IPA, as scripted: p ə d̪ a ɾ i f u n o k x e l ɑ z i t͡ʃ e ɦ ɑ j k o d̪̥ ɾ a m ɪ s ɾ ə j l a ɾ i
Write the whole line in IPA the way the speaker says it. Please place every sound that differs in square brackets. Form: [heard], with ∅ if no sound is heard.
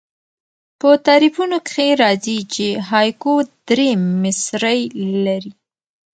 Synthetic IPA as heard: p ə [t̪] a ɾ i f u n o k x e [ɾ] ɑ z i t͡ʃ e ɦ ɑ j k o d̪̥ ɾ [e] m ɪ s ɾ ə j l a ɾ i